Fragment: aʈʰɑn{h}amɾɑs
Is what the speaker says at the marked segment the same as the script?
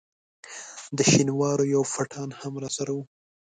yes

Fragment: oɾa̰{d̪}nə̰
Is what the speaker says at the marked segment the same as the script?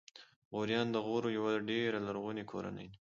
no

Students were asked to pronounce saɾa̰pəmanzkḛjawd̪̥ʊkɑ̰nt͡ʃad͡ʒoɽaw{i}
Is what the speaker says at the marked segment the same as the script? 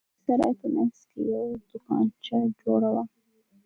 no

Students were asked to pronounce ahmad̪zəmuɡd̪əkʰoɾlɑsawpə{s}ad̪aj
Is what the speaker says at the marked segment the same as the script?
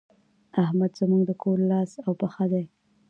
no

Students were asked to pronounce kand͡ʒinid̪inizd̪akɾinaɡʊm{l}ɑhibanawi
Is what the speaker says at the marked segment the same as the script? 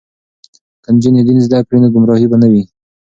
no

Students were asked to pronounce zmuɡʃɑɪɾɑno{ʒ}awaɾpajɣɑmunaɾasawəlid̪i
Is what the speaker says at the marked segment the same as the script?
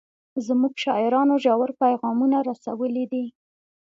yes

